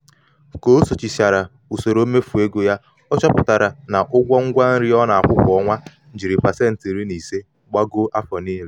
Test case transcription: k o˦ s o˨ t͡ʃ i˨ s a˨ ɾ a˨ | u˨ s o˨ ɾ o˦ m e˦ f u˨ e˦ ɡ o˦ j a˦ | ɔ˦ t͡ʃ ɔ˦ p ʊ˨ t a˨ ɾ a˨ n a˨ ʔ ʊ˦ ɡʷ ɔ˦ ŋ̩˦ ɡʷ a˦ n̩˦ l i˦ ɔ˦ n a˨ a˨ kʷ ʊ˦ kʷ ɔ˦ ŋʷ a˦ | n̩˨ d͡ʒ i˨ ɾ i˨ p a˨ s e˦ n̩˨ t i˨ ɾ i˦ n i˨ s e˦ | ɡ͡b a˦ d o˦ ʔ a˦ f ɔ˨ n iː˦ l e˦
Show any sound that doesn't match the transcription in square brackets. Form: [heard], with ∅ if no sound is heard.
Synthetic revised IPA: k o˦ s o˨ t͡ʃ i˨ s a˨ ɾ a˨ | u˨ s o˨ ɾ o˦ m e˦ f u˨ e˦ ɡ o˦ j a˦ | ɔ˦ t͡ʃ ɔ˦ p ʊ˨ t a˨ ɾ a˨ n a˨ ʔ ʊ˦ ɡʷ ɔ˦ ŋ̩˦ ɡʷ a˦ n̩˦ [ɾ] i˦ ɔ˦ n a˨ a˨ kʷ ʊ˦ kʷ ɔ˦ ŋʷ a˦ | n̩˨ d͡ʒ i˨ ɾ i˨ p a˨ s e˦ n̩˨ t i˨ ɾ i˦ n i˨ s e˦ | ɡ͡b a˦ [ɡ] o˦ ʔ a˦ f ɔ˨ n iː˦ l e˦

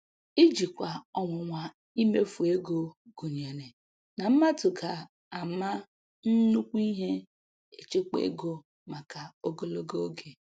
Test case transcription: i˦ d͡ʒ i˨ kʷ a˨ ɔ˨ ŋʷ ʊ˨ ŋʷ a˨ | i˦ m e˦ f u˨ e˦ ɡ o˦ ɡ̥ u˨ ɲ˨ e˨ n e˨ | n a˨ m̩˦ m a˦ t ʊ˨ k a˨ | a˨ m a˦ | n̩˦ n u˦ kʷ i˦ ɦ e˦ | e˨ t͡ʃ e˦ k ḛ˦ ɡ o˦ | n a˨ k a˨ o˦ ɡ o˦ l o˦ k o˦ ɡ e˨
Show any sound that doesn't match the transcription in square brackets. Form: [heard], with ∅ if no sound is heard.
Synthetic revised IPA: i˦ d͡ʒ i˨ kʷ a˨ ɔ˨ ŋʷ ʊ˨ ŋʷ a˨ | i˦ m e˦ f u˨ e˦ ɡ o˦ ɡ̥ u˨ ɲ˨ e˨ n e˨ | n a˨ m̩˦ m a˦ t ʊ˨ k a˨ | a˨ m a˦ | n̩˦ n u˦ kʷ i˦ ɦ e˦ | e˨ t͡ʃ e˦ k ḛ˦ ɡ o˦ | [m] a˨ k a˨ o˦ ɡ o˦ l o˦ [ɡ] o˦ ɡ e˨

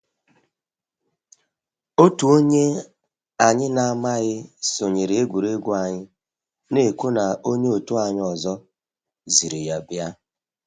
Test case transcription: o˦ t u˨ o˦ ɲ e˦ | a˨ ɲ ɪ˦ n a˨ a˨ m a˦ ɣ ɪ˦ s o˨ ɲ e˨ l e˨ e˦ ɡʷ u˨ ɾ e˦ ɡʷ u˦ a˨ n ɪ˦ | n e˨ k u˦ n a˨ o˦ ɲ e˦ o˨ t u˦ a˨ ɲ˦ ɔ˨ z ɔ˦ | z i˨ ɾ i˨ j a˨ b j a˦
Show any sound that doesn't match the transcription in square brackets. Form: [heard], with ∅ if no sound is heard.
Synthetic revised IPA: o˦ t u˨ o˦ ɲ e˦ | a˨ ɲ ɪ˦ n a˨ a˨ m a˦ ɣ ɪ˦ s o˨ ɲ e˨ [ɾ] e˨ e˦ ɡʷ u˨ ɾ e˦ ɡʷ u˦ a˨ [ɲ] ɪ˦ | n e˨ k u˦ n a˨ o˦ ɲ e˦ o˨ t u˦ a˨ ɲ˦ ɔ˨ z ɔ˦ | z i˨ ɾ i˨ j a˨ b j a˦

